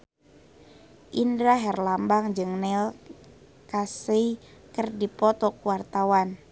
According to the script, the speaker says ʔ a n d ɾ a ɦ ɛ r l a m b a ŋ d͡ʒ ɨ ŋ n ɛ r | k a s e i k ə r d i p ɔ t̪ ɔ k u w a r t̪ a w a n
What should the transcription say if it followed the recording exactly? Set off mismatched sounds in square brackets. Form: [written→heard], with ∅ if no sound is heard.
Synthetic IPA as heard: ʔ [a→i] n d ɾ a ɦ ɛ r l a m b a ŋ d͡ʒ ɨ ŋ n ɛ [r→l] | k a s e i k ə r d i p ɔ t̪ ɔ k u w a r t̪ a w a n